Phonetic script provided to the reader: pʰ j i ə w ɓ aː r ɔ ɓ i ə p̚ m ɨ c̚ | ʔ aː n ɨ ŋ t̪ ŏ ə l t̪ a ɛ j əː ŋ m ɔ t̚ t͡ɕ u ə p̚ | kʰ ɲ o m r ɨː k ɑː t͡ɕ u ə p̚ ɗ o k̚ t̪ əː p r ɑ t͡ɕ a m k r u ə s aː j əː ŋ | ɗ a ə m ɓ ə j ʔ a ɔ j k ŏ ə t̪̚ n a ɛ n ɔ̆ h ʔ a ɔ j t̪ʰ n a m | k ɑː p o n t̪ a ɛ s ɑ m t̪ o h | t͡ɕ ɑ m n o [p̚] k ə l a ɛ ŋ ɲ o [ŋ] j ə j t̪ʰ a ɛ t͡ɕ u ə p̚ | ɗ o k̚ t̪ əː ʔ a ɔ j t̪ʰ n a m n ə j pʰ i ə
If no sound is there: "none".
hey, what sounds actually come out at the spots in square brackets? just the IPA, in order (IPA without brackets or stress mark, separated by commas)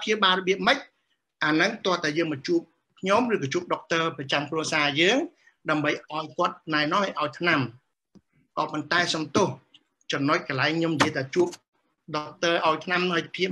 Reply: c̚, m